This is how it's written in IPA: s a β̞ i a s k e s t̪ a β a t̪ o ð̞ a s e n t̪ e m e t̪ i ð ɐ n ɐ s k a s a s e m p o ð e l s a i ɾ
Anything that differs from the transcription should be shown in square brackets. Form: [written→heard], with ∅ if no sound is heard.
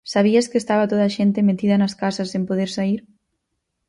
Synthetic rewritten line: s a β̞ i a s k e s t̪ a β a t̪ o ð̞ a [s→ʃ] e n t̪ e m e t̪ i ð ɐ n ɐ s k a s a s e m p o ð e [l→ɾ] s a i ɾ